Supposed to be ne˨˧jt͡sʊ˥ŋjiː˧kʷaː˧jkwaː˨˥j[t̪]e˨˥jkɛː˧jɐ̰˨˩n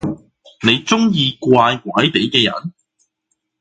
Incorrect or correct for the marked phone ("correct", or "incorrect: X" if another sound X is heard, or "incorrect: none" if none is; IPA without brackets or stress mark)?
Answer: correct